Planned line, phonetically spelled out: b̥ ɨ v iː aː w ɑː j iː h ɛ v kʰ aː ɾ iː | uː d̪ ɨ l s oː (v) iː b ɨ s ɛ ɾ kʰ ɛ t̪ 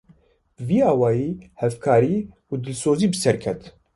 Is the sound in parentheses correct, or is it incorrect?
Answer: incorrect